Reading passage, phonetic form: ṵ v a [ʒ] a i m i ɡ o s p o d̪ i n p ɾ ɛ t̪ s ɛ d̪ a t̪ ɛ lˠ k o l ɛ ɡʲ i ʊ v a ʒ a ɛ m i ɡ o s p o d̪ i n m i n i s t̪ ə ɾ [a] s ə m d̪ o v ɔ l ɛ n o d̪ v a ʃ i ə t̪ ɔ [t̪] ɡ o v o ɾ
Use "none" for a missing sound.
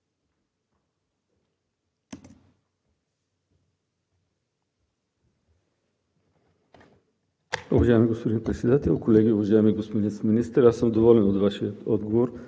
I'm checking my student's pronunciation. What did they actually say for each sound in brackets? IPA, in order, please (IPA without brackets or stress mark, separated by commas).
ʒ, a, d̪